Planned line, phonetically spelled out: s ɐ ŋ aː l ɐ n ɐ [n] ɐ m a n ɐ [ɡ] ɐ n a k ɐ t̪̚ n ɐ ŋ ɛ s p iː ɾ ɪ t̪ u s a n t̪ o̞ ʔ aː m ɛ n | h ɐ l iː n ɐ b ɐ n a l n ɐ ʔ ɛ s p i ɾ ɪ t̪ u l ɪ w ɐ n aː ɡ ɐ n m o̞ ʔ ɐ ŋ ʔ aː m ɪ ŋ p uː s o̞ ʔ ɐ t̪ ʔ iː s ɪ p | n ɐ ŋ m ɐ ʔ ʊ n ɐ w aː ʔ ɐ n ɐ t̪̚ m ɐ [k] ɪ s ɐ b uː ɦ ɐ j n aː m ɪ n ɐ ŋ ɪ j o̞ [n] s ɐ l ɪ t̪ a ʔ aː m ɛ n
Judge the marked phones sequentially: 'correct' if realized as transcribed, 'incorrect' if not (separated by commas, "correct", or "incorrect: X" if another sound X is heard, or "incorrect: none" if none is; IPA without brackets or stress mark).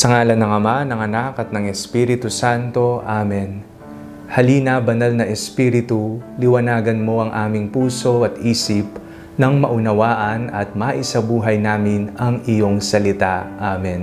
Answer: incorrect: ŋ, incorrect: ŋ, incorrect: ʔ, incorrect: ŋ